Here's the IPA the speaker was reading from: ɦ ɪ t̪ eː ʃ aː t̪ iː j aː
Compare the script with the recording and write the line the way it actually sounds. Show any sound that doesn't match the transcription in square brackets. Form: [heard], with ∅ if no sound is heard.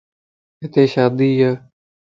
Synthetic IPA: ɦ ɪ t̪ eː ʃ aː [d̪] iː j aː